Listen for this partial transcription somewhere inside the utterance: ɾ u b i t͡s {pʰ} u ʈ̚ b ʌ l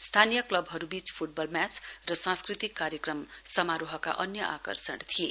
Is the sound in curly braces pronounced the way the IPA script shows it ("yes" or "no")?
yes